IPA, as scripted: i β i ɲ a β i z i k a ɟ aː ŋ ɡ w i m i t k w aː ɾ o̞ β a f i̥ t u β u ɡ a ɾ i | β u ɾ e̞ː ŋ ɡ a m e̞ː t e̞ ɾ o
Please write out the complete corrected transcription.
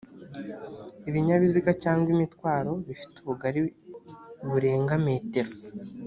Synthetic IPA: i β i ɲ a β i z i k a c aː ŋ ɡ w i m i t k w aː ɾ o̞ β i f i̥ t u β u ɡ a ɾ i | β u ɾ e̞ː ŋ ɡ a m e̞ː t e̞ ɾ o